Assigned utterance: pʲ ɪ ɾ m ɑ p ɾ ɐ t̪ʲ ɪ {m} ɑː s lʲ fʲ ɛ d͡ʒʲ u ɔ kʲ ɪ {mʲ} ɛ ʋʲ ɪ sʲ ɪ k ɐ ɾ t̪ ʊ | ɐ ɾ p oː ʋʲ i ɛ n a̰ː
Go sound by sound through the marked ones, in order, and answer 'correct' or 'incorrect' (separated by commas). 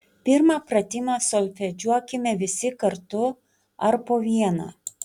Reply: correct, correct